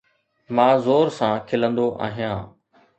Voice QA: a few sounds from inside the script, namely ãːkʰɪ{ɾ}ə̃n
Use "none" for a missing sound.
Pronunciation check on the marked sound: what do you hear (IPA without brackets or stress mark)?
l